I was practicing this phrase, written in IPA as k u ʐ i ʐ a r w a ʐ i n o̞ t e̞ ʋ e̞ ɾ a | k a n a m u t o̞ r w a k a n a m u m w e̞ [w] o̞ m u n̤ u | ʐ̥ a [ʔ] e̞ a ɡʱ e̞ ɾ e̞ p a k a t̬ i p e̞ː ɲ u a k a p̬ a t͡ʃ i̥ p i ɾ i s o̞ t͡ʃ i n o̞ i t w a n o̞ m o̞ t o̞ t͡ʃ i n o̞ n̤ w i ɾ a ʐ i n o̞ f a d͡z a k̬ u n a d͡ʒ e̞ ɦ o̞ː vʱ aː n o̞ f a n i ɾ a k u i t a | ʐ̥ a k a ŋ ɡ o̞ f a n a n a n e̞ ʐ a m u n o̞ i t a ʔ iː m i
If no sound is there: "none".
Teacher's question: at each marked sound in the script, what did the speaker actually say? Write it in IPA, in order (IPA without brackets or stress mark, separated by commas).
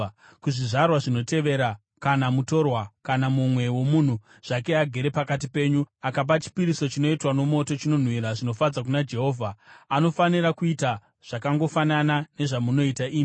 w, k